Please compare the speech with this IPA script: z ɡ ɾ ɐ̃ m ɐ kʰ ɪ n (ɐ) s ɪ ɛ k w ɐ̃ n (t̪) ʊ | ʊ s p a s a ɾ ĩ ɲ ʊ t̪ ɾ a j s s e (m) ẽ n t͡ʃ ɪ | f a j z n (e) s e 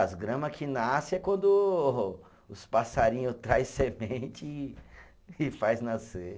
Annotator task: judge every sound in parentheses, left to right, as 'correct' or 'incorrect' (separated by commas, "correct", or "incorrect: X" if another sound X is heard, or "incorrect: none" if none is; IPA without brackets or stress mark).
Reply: incorrect: a, incorrect: d̪, correct, incorrect: a